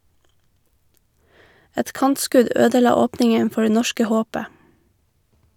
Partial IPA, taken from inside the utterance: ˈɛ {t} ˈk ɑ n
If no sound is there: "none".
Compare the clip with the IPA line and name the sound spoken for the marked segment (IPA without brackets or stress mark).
t